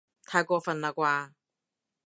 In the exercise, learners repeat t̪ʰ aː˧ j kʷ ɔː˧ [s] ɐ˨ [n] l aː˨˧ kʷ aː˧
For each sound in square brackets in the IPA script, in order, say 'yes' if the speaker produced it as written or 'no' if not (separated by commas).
no, yes